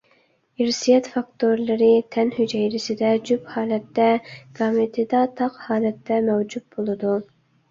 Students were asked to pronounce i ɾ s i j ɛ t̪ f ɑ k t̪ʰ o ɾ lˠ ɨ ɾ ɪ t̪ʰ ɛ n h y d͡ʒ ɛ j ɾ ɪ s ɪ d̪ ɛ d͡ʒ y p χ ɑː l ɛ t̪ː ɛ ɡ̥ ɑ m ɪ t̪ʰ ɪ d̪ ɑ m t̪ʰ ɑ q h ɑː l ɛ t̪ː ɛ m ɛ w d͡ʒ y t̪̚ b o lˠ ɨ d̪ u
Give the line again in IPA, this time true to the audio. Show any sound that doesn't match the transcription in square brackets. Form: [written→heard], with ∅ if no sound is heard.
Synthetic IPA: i ɾ s i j ɛ t̪ f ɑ k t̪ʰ o ɾ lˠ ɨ ɾ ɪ t̪ʰ ɛ n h y d͡ʒ ɛ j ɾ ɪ s ɪ d̪ ɛ d͡ʒ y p [χ→h] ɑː l ɛ t̪ː ɛ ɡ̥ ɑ m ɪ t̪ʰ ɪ d̪ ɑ [m→∅] t̪ʰ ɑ q h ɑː l ɛ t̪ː ɛ m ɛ w d͡ʒ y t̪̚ b o lˠ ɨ d̪ u